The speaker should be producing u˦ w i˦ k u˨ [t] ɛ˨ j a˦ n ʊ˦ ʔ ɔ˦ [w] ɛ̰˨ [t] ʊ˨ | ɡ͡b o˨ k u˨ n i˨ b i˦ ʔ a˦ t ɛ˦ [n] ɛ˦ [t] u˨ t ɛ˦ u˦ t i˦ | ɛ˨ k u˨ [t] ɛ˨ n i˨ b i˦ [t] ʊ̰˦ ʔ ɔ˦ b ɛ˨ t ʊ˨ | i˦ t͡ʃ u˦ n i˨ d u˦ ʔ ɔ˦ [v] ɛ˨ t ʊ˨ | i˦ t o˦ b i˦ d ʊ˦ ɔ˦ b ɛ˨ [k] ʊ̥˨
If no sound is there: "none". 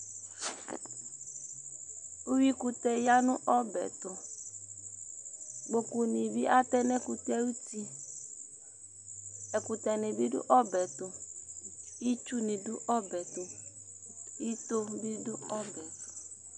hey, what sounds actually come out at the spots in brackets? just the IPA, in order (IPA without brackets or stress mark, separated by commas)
t, b, t, n, k, t, d, b, t